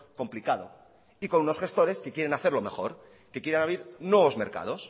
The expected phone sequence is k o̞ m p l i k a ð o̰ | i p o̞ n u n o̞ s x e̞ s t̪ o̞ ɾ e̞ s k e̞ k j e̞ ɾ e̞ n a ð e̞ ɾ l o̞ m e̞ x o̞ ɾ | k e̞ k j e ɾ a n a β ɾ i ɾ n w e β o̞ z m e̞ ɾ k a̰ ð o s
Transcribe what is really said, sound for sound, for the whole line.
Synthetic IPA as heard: k o̞ m p l i k a ð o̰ | i k o̞ n u n o̞ s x e̞ s t̪ o̞ ɾ e̞ s k e̞ k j e̞ ɾ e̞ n a θ e̞ ɾ l o̞ m e̞ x o̞ ɾ | k e̞ k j e ɾ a n a β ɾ i ɾ n w e β o̞ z m e̞ ɾ k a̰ ð o s